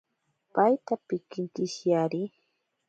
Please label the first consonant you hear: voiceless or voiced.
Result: voiceless